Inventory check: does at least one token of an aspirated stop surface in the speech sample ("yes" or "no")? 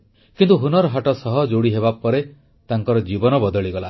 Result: no